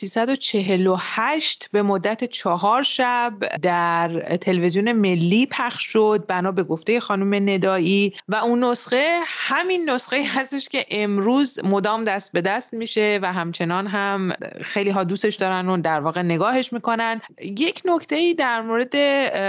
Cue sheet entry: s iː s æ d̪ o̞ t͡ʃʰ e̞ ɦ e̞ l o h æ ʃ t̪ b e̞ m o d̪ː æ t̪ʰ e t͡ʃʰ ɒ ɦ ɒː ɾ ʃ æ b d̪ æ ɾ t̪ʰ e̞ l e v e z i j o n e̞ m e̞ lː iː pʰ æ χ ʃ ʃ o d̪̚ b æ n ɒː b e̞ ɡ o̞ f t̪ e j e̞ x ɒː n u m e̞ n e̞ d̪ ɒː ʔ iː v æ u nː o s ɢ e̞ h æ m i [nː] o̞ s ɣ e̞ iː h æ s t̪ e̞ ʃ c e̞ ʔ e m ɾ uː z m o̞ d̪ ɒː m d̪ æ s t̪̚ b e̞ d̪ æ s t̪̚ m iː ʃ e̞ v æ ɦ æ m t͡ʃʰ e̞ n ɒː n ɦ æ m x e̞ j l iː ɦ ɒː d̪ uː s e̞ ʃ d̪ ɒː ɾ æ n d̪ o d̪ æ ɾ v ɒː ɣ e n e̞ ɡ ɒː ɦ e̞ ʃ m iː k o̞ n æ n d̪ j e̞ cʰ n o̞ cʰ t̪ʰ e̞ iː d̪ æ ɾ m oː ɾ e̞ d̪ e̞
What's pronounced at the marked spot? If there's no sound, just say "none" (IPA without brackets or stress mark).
nː